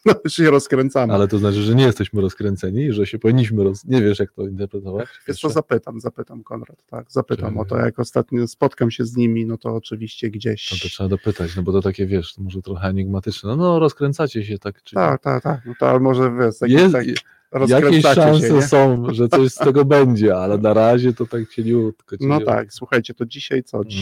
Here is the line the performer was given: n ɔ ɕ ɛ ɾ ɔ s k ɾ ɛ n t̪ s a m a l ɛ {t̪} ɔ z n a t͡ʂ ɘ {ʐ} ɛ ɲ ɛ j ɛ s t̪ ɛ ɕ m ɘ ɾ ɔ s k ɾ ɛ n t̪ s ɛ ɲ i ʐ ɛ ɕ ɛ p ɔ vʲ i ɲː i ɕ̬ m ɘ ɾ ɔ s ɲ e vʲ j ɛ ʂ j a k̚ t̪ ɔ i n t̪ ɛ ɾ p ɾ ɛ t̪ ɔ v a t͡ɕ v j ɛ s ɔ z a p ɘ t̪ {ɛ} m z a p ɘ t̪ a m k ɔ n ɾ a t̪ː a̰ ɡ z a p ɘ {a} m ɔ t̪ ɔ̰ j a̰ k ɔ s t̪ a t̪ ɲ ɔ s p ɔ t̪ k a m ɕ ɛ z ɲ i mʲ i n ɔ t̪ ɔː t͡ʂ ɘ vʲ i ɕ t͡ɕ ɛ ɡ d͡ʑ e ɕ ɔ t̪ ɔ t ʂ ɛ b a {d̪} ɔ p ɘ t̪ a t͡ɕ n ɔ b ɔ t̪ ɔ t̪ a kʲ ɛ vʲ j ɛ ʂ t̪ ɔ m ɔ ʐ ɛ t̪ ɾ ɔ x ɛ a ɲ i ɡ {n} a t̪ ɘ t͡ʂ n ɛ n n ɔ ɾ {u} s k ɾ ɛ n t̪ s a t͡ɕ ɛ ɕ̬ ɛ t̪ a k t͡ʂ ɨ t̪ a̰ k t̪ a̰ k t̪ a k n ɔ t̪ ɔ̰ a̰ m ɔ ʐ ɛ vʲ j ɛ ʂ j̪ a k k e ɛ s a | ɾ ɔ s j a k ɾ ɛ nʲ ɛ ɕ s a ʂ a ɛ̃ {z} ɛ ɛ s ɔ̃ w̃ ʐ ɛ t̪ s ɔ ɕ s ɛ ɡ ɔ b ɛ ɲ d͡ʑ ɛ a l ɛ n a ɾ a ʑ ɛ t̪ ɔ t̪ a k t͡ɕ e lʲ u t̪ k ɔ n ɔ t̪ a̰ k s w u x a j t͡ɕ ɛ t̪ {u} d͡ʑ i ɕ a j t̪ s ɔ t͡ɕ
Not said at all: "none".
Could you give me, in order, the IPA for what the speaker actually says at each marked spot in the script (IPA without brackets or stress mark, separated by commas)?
t̪, ʐ, a, a, d̪, m, ɔ, s, ɔ